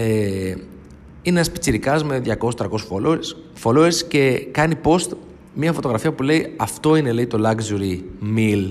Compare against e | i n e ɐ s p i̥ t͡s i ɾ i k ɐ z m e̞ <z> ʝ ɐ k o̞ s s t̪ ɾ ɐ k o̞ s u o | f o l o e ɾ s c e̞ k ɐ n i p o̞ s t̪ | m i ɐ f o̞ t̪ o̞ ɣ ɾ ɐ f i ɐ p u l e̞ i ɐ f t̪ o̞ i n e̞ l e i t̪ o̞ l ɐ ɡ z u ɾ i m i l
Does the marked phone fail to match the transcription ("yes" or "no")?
yes